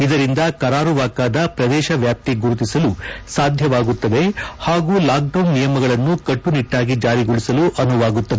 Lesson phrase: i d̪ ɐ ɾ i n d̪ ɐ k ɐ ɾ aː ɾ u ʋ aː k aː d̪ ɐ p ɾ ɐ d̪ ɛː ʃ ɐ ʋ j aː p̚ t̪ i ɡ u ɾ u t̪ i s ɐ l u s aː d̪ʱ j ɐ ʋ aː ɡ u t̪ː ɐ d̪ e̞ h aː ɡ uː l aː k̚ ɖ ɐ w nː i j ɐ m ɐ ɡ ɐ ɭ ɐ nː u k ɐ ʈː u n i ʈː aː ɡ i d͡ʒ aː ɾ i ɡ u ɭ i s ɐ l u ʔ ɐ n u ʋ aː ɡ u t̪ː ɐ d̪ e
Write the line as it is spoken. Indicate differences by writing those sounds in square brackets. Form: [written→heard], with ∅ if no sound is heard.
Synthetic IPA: i d̪ ɐ ɾ i n d̪ ɐ k ɐ ɾ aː ɾ u ʋ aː k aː d̪ ɐ p ɾ ɐ d̪ ɛː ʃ ɐ ʋ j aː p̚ t̪ i ɡ u ɾ u t̪ i s ɐ l u s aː d̪ʱ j ɐ ʋ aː ɡ u t̪ː ɐ d̪ e̞ h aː ɡ uː l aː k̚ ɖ ɐ w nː i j ɐ m ɐ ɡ ɐ ɭ ɐ nː u k ɐ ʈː u n i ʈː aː ɡ i d͡ʒ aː ɾ i ɡ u ɭ i s ɐ l u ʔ ɐ n u ʋ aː ɡ u t̪ː ɐ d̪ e